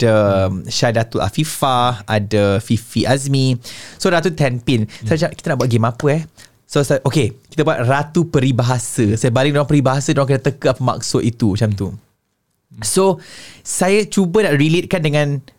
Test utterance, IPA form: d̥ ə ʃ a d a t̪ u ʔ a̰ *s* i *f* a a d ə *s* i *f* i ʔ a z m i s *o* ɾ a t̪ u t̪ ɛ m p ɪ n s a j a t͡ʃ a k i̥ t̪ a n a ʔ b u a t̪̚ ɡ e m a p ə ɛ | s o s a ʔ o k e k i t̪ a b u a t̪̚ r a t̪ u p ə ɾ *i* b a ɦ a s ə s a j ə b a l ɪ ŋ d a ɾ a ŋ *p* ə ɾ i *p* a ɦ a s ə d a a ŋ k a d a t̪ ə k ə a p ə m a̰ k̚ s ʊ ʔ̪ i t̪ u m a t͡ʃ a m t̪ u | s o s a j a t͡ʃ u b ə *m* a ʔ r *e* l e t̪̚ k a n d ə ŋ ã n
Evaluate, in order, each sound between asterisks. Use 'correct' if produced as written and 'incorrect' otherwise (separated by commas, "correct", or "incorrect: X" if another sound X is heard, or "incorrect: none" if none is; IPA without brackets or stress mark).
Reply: incorrect: f, correct, incorrect: f, correct, correct, correct, correct, incorrect: b, incorrect: n, incorrect: i